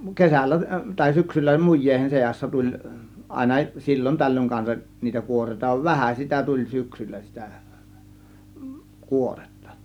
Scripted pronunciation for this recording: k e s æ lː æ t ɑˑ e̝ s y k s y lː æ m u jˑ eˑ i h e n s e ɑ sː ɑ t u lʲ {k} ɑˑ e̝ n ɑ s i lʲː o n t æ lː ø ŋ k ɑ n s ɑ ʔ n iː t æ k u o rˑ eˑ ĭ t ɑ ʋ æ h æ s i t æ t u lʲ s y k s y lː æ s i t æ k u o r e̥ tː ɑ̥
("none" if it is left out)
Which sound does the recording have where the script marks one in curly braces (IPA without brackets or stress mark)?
ʔ